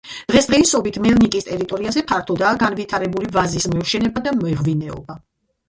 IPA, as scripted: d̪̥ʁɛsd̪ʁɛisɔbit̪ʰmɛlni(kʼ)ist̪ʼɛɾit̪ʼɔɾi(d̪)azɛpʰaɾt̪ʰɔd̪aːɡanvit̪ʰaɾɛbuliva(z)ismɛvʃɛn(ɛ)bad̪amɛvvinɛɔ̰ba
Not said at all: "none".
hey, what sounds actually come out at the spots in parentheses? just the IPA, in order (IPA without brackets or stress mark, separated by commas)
kʼ, none, z, ɛ